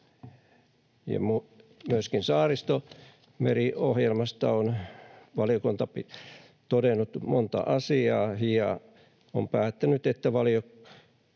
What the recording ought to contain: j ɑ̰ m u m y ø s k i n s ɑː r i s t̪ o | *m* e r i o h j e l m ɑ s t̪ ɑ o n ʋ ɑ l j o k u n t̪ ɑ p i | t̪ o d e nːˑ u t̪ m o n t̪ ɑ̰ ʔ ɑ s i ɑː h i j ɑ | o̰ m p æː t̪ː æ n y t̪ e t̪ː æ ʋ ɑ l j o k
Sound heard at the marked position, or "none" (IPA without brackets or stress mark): m